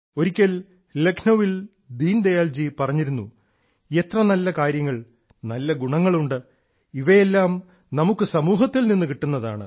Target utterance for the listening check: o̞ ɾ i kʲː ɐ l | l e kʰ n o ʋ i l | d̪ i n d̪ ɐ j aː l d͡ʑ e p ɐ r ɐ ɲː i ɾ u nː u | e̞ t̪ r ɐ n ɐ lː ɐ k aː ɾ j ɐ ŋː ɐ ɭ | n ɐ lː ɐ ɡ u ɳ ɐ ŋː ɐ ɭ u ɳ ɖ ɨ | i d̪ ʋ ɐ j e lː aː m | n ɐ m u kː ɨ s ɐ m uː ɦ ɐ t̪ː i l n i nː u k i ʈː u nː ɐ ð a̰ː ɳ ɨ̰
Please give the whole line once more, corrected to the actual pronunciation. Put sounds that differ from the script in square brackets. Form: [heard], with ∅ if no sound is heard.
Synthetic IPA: o̞ ɾ i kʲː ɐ l | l e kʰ n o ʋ i l | d̪ [iː] n d̪ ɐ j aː l d͡ʑ [i] p ɐ r ɐ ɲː i ɾ u nː u | e̞ t̪ r ɐ n ɐ lː ɐ k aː ɾ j ɐ ŋː ɐ ɭ | n ɐ lː ɐ ɡ u ɳ ɐ ŋː ɐ ɭ u ɳ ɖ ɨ | i [∅] ʋ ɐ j e lː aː m | n ɐ m u kː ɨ s ɐ m uː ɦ ɐ t̪ː i l n i nː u k i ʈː u nː ɐ ð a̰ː ɳ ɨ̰